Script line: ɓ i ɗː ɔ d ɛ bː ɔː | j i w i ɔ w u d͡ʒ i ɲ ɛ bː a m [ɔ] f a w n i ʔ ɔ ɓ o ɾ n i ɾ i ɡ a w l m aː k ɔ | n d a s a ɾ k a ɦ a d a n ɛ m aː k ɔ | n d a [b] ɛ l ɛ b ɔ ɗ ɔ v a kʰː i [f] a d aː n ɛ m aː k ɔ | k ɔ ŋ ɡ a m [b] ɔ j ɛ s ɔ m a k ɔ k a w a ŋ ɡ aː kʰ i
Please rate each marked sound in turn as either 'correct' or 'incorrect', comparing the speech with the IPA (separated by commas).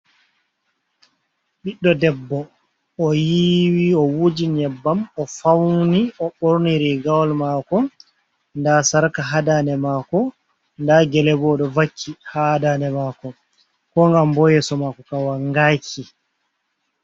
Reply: correct, incorrect, incorrect, correct